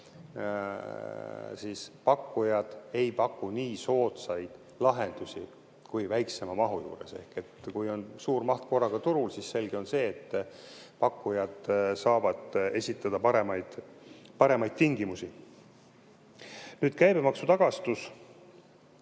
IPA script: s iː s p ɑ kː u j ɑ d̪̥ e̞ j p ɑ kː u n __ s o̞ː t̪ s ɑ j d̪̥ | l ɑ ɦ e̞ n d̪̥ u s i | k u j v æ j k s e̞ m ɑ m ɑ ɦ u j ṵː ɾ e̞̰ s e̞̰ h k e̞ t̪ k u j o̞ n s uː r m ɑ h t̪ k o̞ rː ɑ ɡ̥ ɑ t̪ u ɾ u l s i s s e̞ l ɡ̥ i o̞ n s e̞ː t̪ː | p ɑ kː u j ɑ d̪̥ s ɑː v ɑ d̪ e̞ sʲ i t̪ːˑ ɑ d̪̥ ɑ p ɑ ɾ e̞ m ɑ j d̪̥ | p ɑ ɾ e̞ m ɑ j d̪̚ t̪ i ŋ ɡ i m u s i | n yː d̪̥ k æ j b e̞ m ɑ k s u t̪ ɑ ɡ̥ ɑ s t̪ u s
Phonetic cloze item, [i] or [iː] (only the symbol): iː